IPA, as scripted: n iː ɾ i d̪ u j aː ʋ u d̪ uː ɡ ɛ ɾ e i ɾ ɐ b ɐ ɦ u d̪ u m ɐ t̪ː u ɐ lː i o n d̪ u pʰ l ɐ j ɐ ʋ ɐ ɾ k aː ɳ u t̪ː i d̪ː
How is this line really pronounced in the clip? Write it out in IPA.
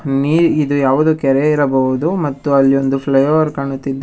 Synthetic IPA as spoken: n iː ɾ i d̪ u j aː ʋ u d̪ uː k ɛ ɾ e i ɾ ɐ b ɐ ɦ u d̪ u m ɐ t̪ː u ɐ lː i o n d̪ u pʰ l ɐ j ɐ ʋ ɐ ɾ k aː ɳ u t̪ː i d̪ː